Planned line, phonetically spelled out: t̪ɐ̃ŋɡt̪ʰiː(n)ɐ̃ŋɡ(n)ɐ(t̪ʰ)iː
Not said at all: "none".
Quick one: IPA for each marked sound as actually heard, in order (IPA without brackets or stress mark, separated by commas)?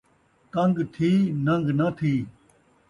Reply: n, n, t̪ʰ